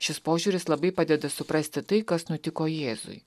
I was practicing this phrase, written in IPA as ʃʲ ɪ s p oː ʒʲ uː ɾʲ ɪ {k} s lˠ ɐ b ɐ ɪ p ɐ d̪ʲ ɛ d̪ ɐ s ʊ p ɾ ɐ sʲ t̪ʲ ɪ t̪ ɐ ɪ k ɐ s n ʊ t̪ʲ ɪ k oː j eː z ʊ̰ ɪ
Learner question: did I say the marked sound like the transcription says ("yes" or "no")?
no